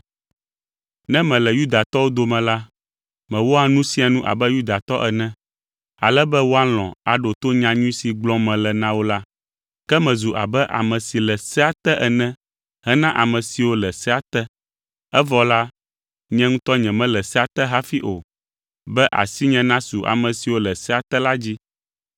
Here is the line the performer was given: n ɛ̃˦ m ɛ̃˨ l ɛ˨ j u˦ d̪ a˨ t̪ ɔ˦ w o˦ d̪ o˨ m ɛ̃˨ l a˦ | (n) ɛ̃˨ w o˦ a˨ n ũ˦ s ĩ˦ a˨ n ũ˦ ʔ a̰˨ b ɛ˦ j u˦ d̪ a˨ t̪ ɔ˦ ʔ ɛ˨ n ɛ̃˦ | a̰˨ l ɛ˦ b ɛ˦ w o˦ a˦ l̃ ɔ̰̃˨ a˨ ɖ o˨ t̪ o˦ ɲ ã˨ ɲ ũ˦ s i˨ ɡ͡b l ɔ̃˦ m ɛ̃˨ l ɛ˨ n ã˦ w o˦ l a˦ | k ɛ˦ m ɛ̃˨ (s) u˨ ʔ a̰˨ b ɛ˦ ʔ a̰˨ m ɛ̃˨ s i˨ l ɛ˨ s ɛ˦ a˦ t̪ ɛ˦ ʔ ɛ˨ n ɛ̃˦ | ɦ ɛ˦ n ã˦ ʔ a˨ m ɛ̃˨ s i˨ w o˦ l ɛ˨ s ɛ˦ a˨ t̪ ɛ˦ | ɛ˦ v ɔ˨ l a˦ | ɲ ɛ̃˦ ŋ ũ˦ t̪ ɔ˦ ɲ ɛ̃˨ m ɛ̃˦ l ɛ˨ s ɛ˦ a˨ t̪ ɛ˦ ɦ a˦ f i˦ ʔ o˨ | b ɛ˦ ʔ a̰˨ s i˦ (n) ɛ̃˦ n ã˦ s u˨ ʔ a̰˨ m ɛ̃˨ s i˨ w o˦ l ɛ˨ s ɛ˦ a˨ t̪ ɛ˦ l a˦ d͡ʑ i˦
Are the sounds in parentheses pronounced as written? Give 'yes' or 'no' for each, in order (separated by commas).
no, no, no